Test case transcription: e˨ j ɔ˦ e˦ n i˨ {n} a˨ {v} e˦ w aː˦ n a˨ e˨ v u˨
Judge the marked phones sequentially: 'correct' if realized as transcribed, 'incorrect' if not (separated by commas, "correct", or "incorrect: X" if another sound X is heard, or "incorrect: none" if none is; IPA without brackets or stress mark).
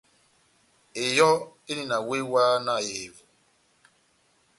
correct, incorrect: w